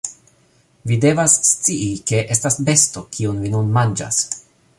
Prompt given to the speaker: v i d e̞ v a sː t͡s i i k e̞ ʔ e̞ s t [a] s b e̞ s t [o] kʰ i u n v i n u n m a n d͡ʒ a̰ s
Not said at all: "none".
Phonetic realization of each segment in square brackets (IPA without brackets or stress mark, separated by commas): a, o